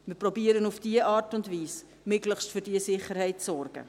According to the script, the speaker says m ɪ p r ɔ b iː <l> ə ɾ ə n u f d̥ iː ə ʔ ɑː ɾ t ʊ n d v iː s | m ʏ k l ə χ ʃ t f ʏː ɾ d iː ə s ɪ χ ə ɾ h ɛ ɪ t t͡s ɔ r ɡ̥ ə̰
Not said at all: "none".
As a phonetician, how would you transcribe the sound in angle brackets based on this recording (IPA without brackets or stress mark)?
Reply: none